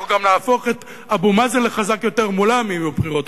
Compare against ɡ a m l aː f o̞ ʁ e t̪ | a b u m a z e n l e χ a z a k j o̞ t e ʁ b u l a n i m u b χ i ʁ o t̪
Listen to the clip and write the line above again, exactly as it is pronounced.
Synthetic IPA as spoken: ɡ a m l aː f o̞ χ e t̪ | a b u m a z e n l e χ a z a k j o̞ t e ʁ m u l a m i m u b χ i ʁ o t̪